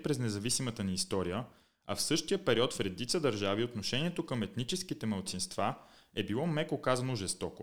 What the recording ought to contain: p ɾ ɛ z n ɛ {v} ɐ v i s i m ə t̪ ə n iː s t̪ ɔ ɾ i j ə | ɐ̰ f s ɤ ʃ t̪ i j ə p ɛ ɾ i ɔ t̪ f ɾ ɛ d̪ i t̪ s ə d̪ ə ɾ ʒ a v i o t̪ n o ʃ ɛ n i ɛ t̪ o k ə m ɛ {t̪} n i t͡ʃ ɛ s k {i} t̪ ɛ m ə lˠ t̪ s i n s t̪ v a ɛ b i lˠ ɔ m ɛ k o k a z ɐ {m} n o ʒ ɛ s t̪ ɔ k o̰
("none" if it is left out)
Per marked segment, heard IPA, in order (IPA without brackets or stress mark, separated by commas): z, t̪, i, none